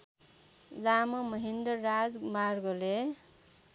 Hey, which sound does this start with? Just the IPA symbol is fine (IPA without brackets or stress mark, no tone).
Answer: l